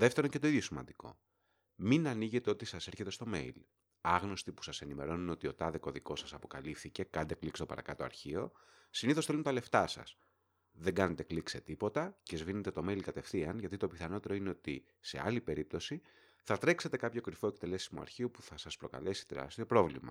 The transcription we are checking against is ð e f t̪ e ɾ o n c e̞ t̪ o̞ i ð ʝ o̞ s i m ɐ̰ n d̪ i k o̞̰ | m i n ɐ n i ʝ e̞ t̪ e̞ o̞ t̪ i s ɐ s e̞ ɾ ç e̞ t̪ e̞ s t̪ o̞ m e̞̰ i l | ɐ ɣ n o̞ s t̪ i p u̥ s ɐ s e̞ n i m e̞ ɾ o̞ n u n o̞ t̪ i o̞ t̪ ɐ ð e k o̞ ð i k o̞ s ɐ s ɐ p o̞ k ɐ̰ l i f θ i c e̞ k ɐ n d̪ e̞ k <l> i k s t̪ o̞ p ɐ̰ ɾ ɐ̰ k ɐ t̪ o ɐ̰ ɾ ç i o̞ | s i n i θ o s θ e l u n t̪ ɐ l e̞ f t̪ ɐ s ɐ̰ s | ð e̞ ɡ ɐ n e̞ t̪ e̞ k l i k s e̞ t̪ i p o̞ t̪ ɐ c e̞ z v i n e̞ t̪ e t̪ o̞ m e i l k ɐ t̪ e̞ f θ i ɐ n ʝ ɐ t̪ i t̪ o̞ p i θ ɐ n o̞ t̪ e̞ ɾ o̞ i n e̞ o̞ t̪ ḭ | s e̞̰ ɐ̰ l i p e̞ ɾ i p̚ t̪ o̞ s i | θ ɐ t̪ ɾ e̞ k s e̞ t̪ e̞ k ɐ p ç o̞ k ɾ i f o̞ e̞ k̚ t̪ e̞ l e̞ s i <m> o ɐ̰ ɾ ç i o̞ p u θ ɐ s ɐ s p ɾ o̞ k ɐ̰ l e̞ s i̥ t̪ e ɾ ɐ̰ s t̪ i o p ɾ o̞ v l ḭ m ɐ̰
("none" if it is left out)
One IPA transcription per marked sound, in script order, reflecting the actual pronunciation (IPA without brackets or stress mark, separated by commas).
l, m